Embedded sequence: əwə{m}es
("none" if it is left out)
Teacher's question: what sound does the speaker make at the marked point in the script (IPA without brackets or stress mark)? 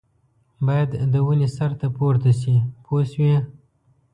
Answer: n